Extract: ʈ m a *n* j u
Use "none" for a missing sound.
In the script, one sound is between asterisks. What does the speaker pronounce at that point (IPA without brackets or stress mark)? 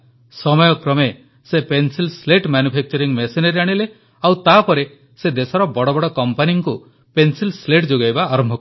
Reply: n